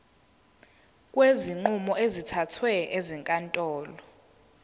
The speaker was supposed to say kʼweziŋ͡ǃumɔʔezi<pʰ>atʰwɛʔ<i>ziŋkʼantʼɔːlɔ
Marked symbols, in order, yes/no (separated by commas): no, no